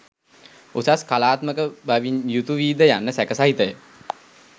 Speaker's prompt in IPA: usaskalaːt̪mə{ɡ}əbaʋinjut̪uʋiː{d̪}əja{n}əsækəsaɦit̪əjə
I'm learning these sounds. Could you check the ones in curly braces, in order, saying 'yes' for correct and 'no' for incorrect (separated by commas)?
no, yes, no